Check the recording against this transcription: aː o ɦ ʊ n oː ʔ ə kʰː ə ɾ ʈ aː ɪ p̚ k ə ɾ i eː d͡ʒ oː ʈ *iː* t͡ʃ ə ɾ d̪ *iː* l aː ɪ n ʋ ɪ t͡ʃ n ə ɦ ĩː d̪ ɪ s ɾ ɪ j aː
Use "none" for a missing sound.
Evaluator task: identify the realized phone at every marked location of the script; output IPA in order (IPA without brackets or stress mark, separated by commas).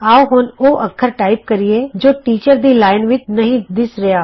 iː, iː